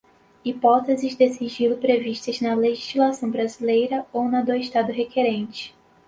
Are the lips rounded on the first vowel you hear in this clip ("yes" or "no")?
no